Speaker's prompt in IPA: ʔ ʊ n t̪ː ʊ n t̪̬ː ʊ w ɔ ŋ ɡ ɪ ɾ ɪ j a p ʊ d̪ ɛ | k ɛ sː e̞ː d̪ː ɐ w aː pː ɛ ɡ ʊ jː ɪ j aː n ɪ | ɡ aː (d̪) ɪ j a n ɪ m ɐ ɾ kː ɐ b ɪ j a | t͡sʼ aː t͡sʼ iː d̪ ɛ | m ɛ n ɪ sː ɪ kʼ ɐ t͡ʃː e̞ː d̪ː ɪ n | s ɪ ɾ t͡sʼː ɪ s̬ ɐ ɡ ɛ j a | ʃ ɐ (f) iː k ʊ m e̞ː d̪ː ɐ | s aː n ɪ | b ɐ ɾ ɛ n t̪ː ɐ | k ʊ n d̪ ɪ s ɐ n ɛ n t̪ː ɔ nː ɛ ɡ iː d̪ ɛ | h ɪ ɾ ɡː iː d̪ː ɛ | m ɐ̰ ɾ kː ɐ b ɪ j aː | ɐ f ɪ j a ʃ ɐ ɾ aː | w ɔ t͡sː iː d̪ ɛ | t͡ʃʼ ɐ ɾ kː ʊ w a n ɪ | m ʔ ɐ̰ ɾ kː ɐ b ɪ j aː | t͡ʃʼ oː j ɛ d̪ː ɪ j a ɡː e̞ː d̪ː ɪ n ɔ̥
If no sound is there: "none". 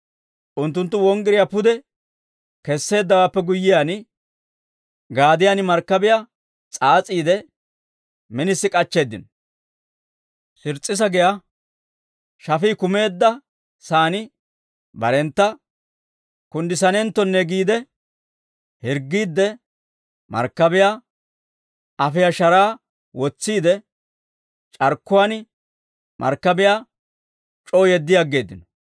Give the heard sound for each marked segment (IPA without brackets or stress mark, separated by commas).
d̪, f